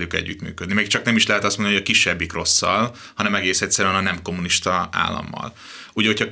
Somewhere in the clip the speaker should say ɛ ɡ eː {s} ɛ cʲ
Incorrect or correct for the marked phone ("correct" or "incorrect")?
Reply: correct